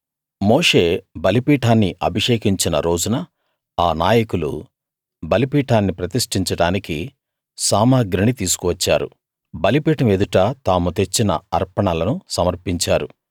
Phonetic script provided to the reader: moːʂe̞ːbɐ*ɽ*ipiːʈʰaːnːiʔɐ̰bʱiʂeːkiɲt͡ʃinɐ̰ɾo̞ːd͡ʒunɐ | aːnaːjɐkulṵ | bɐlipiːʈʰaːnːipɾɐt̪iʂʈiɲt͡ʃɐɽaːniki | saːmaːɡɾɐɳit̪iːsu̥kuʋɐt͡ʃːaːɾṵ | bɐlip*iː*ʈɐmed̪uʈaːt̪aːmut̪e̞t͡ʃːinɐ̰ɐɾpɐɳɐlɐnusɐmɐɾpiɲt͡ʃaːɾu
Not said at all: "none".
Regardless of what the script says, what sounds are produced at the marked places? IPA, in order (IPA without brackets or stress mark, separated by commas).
l, iː